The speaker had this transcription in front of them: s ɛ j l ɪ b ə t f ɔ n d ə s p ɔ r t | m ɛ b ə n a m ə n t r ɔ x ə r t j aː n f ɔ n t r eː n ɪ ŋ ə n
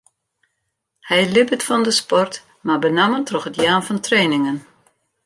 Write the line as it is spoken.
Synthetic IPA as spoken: h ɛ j l ɪ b ə t f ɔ n d ə s p ɔ r t | m a b ə n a m ə n t r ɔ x ə t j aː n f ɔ n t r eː n ɪ ŋ ə n